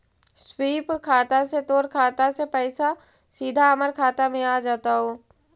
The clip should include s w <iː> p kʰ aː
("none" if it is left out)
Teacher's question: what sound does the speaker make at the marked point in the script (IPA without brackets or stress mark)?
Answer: iː